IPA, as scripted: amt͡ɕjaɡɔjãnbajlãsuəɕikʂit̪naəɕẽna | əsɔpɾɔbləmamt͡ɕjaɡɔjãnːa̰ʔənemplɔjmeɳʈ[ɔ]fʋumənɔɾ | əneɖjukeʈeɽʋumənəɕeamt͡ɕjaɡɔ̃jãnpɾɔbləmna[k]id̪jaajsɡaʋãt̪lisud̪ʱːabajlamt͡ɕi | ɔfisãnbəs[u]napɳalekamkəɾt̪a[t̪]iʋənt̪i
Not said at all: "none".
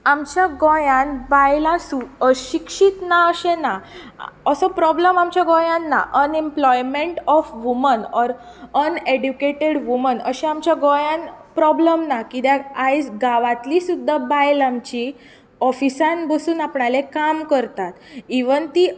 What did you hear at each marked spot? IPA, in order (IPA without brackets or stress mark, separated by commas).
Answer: ɔ, k, uː, t̪